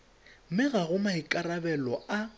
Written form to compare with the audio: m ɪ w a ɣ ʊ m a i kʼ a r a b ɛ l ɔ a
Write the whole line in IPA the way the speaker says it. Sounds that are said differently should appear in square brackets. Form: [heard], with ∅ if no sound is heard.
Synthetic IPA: m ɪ [ɣ] a ɣ ʊ m a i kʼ a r a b ɛ l ɔ a